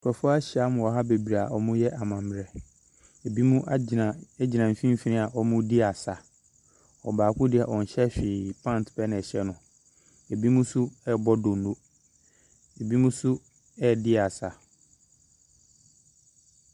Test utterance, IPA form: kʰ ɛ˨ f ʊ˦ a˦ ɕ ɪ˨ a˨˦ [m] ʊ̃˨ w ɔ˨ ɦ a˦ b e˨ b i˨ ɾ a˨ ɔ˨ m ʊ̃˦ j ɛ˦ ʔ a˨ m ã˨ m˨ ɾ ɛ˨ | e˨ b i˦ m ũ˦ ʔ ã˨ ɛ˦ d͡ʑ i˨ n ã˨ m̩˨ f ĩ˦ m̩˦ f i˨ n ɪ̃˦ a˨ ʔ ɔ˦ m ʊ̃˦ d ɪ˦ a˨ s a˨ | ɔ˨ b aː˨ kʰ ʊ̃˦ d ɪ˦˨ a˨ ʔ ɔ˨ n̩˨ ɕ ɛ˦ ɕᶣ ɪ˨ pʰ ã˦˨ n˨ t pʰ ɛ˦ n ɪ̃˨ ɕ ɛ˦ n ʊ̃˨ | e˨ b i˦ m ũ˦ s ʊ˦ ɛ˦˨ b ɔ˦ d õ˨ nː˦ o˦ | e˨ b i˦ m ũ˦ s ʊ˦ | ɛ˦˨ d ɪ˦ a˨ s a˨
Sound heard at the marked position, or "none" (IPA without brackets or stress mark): m